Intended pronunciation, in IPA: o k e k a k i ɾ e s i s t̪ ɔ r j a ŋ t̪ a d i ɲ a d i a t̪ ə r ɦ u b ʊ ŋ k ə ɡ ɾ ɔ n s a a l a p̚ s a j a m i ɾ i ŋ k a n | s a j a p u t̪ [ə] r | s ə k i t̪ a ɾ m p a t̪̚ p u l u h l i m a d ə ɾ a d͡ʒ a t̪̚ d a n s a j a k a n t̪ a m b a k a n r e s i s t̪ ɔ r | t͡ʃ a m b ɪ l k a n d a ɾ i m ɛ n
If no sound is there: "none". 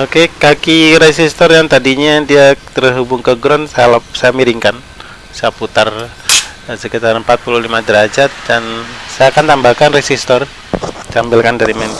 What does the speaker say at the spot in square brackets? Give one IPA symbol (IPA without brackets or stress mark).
a